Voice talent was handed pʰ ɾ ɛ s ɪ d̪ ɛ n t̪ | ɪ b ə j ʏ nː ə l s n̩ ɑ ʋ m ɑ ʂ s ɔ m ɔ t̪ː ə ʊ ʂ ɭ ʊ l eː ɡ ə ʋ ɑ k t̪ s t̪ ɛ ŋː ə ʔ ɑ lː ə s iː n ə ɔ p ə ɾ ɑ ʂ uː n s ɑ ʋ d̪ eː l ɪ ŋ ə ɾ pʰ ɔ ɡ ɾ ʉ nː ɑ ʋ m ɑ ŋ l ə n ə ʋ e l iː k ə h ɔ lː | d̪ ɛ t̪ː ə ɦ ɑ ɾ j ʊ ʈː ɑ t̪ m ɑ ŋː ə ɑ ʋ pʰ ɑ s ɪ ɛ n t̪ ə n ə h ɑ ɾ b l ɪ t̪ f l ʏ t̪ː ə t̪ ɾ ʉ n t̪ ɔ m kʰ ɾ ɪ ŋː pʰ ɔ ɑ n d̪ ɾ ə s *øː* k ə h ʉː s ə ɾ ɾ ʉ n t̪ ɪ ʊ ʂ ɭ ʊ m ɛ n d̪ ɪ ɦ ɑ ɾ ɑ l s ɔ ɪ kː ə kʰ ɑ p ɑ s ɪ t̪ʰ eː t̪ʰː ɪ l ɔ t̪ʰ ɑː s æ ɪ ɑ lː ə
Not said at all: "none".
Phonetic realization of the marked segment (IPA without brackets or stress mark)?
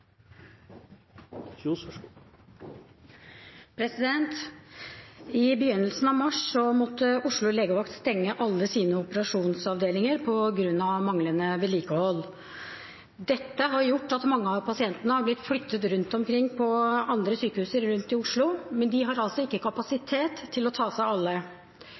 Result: yː